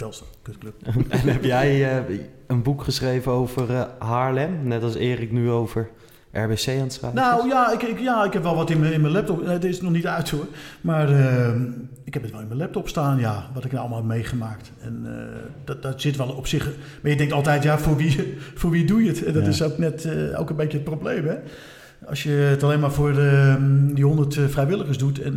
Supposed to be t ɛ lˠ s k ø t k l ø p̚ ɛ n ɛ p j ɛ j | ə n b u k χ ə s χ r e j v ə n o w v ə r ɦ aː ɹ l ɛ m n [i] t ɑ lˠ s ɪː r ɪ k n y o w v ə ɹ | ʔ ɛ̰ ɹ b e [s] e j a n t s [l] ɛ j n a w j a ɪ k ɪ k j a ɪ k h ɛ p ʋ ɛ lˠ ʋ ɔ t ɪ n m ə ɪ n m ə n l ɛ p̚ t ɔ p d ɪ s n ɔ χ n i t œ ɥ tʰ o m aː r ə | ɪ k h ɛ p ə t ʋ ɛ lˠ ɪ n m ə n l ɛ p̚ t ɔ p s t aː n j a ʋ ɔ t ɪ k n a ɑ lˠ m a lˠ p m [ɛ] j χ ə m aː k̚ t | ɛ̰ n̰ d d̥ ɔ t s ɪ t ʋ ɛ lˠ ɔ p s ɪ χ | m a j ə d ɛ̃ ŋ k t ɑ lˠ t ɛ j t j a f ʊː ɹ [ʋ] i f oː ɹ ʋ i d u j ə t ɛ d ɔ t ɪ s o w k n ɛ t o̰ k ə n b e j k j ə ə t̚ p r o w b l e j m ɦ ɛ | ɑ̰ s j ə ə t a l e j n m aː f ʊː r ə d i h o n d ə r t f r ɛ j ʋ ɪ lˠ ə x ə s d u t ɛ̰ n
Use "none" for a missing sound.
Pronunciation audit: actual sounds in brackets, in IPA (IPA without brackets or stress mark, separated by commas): ɛ, s, r, e, ʋ